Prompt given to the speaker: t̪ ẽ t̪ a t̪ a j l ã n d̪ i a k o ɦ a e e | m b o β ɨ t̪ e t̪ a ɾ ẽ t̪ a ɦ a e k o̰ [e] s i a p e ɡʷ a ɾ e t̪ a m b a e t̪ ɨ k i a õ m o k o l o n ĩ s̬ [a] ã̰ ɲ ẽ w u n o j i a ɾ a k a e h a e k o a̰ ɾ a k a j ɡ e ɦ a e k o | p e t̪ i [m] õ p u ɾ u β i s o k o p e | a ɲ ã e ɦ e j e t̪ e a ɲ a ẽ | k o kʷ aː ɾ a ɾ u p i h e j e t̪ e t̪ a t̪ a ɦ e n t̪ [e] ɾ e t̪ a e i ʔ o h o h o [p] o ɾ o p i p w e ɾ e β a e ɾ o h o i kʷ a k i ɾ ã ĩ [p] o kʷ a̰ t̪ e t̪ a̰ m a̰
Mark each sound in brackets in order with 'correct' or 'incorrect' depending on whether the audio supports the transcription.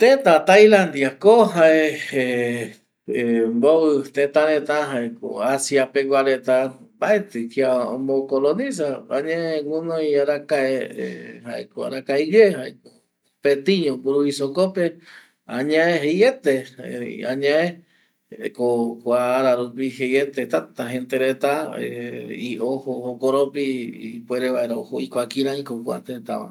incorrect, correct, incorrect, correct, incorrect, incorrect

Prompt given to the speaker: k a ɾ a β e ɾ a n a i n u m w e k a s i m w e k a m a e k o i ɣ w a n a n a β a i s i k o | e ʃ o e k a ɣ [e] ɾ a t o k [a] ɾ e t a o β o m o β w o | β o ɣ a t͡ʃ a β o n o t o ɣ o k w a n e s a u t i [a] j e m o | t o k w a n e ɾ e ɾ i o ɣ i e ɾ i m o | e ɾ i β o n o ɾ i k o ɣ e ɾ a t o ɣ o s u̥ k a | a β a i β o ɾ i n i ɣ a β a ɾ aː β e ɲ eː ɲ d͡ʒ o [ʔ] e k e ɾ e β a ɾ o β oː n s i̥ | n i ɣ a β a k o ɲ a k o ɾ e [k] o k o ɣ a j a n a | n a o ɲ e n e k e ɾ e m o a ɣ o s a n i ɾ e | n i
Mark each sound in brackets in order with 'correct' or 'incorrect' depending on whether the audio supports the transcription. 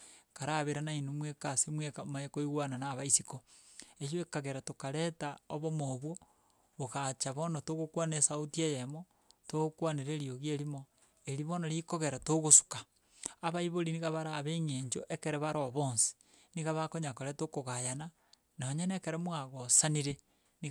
correct, correct, incorrect, correct, incorrect

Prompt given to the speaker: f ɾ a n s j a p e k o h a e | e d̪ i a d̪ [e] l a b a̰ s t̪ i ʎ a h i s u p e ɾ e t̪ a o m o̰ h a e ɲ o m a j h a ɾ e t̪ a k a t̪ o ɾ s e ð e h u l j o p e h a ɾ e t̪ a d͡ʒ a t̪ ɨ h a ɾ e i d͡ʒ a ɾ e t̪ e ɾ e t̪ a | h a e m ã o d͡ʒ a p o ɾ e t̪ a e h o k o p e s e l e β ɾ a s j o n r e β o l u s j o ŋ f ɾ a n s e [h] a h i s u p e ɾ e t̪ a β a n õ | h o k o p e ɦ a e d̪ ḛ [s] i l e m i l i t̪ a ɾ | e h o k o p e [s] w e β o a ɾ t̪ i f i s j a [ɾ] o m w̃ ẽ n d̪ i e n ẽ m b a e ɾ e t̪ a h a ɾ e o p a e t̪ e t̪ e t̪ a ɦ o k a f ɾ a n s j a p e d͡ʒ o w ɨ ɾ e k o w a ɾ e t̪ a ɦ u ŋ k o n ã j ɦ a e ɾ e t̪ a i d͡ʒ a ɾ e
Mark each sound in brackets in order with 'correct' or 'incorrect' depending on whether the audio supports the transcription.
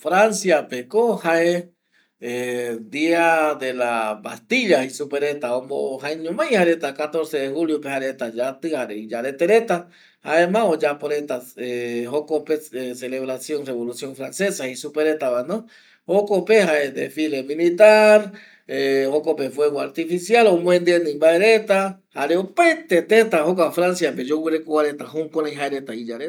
correct, incorrect, incorrect, incorrect, incorrect

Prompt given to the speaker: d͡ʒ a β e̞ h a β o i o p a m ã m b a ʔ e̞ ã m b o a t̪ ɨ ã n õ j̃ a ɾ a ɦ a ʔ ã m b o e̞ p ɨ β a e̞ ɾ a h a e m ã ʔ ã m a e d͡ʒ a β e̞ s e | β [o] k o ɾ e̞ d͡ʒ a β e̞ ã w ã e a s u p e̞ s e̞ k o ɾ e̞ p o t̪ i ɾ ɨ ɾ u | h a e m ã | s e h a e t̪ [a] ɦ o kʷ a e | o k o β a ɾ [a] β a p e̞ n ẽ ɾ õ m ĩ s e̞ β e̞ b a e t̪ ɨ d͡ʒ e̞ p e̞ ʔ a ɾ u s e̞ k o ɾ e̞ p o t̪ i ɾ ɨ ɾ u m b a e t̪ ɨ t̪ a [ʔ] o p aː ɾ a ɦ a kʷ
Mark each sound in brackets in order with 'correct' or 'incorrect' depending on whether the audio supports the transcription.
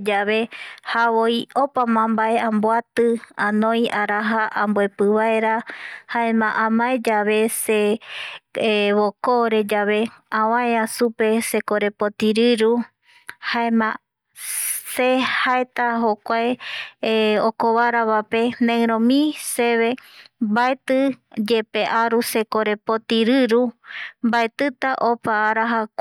correct, correct, correct, correct

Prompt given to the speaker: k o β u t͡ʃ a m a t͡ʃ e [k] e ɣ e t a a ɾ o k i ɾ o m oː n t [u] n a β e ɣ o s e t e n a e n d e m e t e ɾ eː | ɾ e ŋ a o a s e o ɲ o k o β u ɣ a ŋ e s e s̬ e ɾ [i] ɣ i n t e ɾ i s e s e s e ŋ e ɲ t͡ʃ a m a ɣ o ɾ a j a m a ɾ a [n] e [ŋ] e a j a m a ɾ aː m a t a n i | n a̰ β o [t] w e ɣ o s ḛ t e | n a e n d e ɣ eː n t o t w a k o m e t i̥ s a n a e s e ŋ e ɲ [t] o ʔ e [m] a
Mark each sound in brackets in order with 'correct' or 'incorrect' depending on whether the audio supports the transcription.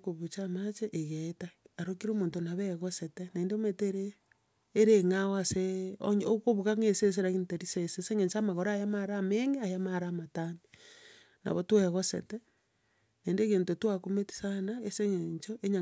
incorrect, incorrect, incorrect, incorrect, correct, correct, incorrect, incorrect

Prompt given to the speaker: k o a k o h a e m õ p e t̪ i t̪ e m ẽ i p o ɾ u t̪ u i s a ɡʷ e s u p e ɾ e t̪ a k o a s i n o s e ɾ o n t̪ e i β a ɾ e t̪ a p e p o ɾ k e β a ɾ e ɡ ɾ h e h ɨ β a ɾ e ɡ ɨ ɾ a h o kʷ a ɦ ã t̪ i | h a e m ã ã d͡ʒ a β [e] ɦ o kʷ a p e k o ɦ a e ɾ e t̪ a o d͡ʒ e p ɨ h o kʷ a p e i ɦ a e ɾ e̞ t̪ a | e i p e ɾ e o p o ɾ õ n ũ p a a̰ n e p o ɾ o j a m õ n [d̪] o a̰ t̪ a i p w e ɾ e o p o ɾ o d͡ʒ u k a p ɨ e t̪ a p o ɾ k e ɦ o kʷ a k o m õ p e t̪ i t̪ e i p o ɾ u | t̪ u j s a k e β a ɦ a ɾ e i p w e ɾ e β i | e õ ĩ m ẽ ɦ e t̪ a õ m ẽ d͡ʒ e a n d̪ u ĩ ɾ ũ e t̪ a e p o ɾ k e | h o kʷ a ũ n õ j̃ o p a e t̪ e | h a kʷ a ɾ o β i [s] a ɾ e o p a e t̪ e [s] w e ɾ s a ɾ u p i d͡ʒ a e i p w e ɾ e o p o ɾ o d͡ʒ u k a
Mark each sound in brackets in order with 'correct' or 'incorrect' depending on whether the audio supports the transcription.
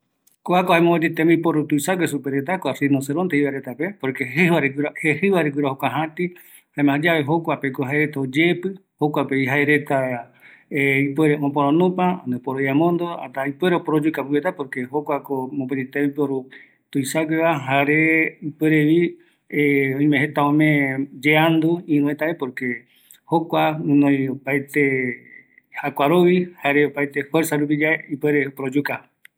correct, correct, incorrect, incorrect

